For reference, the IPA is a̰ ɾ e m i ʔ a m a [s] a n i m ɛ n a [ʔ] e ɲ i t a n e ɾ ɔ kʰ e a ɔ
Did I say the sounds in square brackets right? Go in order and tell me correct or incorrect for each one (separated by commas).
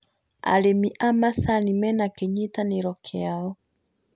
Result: correct, incorrect